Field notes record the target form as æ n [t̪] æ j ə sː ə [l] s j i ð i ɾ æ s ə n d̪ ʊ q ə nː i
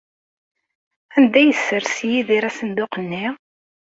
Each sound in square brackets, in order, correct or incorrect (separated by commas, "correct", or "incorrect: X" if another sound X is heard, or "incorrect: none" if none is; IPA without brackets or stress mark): incorrect: d̪, incorrect: ɾ